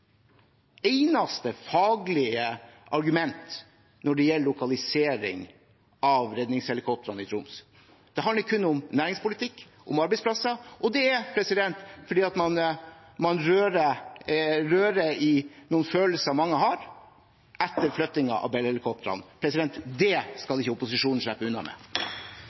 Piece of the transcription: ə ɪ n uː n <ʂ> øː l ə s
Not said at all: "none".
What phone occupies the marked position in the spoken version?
f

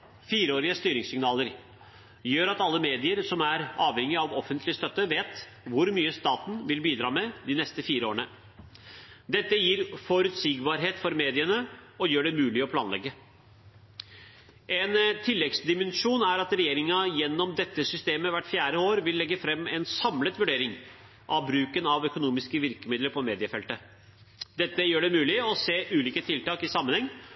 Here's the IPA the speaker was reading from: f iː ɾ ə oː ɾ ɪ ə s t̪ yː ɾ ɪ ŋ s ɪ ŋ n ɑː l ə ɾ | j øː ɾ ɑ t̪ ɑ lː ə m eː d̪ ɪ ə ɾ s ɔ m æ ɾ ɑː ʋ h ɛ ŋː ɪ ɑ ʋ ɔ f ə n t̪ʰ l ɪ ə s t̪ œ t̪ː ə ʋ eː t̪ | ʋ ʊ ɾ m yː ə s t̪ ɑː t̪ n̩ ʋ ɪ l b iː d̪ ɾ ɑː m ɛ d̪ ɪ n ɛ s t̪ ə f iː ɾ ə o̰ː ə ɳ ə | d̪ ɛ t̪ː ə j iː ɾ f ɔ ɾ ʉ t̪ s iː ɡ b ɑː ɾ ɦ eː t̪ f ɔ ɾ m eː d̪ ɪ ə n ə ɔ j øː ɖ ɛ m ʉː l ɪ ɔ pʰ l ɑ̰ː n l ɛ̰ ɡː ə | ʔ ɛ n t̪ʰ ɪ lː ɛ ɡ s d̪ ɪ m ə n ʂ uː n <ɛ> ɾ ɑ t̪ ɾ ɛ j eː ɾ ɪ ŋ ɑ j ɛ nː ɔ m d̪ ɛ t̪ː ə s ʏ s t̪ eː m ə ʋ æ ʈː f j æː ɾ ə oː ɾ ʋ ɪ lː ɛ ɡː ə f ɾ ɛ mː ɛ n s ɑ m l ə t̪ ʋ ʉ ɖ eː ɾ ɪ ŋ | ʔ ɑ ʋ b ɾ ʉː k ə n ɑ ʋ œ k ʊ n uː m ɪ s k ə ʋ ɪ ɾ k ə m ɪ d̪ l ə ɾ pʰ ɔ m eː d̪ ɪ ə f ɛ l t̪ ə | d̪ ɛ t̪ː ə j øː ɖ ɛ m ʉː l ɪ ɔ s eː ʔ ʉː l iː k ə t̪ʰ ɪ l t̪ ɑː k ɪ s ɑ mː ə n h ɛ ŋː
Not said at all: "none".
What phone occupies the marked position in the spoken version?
æ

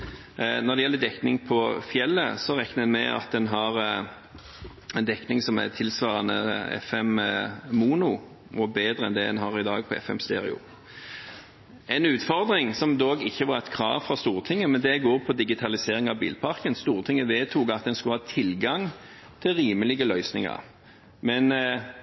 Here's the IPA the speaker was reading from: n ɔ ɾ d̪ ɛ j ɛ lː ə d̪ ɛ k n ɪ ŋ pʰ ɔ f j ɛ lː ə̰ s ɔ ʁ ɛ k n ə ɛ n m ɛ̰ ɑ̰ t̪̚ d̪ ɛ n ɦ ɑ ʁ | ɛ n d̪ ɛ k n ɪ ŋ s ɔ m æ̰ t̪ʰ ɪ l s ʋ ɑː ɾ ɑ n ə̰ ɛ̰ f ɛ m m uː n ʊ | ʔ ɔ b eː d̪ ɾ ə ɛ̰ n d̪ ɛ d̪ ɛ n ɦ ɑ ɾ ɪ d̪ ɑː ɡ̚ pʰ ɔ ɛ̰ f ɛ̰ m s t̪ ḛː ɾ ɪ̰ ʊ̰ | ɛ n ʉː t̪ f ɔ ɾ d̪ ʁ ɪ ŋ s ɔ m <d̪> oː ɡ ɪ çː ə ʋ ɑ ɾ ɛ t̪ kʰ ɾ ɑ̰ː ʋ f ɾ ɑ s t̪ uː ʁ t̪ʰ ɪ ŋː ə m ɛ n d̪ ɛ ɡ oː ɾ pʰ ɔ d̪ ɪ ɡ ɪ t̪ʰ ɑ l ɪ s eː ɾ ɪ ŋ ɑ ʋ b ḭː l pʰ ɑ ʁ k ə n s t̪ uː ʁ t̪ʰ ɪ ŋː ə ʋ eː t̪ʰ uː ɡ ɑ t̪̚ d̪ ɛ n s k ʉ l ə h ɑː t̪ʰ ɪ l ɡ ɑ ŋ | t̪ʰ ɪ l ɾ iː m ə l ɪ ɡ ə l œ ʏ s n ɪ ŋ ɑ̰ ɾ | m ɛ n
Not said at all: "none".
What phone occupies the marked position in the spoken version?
d̪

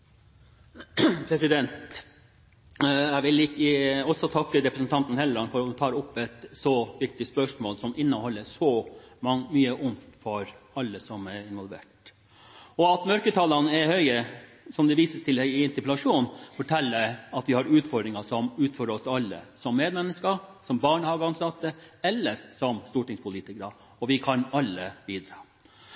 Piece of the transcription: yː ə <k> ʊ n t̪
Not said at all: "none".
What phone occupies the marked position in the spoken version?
ʔ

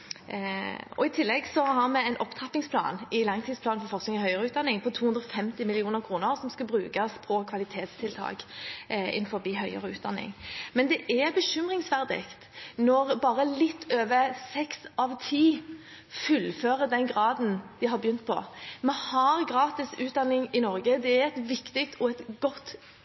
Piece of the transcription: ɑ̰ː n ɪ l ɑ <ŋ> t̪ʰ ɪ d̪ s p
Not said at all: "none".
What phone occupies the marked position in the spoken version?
ŋ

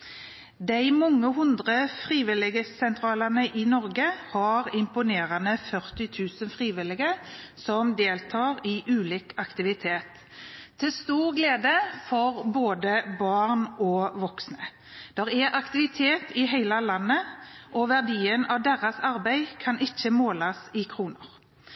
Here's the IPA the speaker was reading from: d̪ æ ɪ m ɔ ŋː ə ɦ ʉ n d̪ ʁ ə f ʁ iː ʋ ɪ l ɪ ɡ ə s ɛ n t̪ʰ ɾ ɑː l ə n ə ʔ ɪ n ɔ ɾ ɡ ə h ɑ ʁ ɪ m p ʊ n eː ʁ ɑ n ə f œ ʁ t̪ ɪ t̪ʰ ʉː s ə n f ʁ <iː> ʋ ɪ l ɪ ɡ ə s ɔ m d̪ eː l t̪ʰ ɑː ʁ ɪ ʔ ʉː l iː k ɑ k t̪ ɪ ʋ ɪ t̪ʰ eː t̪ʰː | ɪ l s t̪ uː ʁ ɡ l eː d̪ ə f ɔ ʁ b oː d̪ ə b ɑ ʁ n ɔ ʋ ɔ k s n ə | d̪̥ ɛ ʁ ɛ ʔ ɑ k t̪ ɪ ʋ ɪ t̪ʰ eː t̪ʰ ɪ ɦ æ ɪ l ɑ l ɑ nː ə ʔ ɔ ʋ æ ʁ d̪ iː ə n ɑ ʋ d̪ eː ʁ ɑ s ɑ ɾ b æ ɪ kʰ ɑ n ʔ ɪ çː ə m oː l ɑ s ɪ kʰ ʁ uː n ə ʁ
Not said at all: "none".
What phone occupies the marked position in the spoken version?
iː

